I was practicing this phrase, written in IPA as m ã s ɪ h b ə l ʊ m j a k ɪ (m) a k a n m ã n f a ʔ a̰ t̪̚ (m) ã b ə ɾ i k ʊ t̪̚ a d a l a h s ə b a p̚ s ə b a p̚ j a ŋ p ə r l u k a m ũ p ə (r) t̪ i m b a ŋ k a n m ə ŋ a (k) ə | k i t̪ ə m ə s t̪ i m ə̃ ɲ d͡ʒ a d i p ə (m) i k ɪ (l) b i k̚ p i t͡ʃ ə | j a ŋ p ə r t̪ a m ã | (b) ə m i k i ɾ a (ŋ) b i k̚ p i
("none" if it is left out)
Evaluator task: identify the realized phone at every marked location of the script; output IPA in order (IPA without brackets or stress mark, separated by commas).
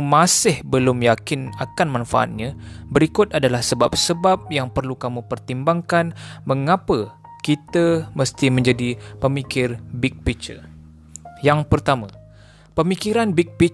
n, ɲ, r, p, m, r, p, n